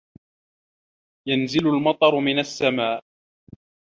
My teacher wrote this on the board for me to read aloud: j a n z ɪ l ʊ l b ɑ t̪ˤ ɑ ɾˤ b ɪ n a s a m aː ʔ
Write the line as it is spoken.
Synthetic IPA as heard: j a n z ɪ l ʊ l m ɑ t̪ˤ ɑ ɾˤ m ɪ n a sː a m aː ʔ

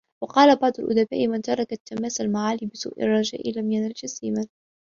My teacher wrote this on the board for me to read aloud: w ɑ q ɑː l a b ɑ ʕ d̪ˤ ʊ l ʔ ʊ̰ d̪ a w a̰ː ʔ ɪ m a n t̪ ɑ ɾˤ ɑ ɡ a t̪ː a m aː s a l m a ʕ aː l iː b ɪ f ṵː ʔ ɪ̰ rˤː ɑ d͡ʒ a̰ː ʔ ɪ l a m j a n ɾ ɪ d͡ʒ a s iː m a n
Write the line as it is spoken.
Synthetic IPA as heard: w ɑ q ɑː l a b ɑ ʕ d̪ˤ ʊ l ʔ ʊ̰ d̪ a b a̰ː ʔ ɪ m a n t̪ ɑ ɾˤ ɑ k a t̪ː a m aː s a l m a ʕ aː l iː b ɪ s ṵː ʔ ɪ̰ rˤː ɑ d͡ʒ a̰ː ʔ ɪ l a m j a n ɾ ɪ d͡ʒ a s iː m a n

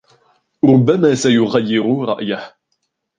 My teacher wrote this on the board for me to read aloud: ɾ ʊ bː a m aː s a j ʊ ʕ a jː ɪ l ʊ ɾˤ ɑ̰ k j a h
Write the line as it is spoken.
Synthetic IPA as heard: ɾ ʊ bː a m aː s a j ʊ ɣ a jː ɪ ɾ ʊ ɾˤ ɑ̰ ʔ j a h

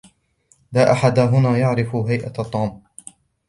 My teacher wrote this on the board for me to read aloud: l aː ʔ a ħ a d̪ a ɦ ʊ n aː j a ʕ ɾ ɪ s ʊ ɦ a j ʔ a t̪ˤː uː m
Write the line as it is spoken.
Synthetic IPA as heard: l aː ʔ a ħ a d̪ a ɦ ʊ n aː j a ʕ ɾ ɪ f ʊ ɦ a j ʔ a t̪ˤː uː m

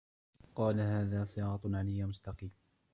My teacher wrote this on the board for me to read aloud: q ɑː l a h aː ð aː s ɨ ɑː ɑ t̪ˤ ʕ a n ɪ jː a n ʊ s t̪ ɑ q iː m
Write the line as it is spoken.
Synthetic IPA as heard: q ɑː l a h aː ð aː s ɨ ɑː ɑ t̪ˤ ʕ a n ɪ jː a m ʊ s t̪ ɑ q iː m

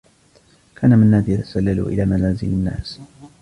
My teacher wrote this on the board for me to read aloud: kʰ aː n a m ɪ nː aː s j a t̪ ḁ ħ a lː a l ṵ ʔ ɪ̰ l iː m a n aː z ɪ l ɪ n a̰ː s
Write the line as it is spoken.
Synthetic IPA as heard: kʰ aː n a m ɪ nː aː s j a t̪ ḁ s a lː a l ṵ ʔ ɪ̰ l aː m a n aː z ɪ l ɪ nː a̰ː s

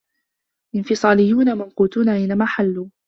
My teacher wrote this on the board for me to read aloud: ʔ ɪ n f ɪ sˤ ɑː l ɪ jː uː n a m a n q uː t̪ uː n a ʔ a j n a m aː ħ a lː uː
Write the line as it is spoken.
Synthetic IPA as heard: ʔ ɪ n f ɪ sˤ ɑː l ɪ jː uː n a m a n q uː t̪ uː n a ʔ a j n a m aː ħ a lː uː

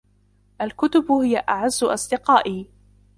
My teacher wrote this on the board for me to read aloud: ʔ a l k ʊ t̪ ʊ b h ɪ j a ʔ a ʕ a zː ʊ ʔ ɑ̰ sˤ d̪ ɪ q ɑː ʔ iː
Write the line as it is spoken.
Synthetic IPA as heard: ʔ a l k ʊ t̪ ʊ b h ɪ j a ʔ a ʕ a zː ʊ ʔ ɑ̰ sˤ d̪ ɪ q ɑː ʔ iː

